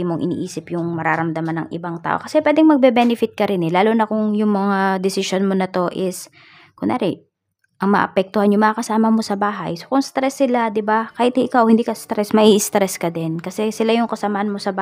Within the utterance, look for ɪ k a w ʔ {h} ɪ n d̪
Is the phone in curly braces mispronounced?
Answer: no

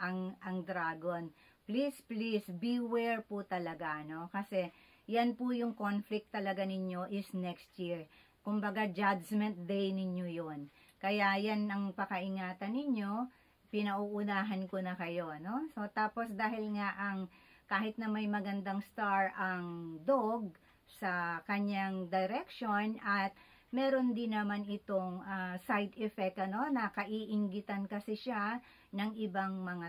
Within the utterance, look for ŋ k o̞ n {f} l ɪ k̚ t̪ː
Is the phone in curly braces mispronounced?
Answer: no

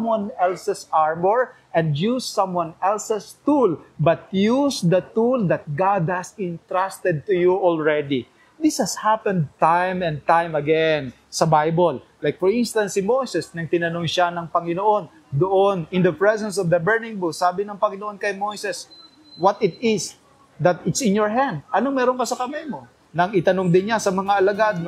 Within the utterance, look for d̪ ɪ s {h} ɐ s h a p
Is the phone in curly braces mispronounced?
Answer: no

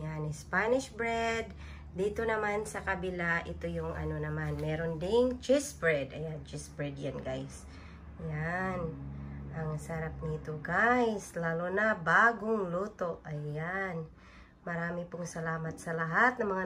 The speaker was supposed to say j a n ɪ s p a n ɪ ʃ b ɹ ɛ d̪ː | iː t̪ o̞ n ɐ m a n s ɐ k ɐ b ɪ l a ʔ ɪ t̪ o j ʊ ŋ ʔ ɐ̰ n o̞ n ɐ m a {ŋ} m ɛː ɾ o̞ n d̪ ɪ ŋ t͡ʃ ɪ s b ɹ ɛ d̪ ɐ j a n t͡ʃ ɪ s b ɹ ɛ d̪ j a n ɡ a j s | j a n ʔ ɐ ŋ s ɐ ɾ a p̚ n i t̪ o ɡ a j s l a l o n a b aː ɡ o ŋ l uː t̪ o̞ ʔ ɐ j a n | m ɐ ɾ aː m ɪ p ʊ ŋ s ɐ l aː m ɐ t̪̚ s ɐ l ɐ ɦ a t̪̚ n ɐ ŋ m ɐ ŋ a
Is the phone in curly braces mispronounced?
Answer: yes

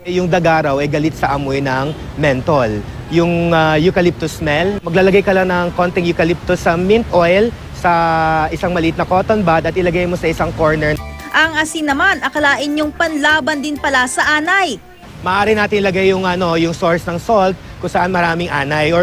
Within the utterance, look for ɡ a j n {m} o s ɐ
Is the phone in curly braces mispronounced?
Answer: no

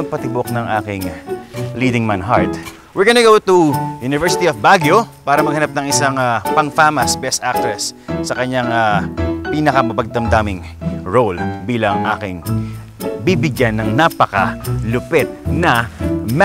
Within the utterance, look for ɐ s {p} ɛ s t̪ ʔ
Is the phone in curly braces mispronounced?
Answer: yes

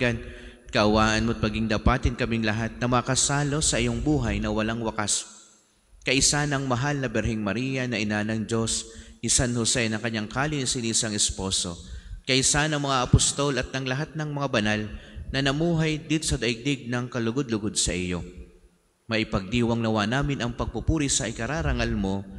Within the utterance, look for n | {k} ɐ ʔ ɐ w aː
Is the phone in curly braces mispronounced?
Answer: no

